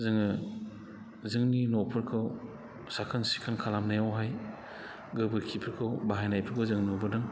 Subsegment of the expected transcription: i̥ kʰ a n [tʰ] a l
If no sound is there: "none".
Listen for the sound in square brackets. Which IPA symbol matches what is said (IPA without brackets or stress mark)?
kʰ